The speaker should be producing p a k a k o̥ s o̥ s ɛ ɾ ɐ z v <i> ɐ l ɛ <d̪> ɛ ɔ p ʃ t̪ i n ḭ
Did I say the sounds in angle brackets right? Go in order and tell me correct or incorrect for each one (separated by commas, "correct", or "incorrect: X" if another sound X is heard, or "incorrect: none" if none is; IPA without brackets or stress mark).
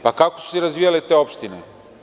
correct, incorrect: t̪